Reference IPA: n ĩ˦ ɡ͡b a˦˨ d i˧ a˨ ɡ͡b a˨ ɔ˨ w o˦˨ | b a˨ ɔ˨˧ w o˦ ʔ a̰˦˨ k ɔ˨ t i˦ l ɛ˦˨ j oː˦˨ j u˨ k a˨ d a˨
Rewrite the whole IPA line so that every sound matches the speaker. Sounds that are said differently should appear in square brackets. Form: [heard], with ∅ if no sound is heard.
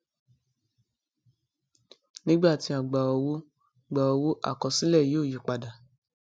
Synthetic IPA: n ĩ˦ ɡ͡b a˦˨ [t] i˧ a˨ ɡ͡b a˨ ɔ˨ w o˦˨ | [ɡ͡b] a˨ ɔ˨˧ w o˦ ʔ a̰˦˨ k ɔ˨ [s] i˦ l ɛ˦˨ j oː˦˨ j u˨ [k͡p] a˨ d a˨